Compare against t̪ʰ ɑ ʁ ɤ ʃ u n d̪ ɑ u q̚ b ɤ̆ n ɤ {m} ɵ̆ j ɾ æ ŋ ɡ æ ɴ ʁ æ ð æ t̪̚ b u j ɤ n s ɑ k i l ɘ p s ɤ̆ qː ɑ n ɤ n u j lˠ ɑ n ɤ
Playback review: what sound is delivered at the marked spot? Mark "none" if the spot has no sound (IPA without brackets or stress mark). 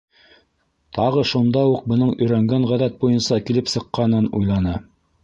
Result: ɴ